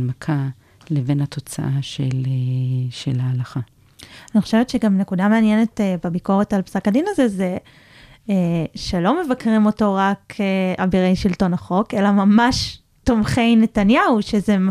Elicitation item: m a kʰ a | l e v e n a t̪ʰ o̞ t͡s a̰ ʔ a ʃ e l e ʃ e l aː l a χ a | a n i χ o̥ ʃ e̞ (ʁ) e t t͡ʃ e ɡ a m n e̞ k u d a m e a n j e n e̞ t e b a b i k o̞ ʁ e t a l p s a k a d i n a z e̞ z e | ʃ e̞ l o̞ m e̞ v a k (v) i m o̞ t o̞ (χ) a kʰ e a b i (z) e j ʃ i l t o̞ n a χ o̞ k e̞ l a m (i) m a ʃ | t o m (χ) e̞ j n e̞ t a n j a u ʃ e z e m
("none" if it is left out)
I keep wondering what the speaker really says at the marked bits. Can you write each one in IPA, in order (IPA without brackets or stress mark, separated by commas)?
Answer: v, ʁ, ʁ, ʁ, a, χ